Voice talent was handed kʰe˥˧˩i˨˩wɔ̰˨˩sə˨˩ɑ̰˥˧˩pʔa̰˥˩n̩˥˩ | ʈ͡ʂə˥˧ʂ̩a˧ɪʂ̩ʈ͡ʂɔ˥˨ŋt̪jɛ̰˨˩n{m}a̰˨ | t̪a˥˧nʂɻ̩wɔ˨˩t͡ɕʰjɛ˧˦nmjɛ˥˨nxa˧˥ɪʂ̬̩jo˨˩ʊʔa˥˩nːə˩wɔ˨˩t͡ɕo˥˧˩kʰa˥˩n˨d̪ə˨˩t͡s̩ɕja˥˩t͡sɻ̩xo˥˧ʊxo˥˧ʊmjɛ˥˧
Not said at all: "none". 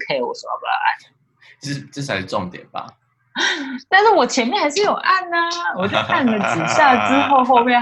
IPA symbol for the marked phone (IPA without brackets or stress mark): b